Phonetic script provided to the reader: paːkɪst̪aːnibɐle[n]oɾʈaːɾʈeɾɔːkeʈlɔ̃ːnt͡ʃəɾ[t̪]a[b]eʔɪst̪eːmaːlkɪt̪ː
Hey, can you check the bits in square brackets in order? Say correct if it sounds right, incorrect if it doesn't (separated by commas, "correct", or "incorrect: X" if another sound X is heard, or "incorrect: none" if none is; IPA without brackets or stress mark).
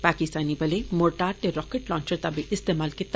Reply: incorrect: m, correct, correct